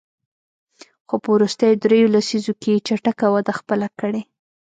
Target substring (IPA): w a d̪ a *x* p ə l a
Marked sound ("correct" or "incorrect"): correct